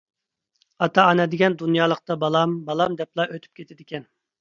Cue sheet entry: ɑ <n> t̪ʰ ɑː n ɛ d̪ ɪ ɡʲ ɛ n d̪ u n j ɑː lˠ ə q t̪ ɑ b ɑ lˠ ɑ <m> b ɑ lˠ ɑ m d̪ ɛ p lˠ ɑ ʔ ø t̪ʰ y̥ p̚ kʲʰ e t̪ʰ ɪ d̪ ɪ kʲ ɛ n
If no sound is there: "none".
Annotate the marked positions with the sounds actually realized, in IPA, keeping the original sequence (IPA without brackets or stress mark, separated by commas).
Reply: none, m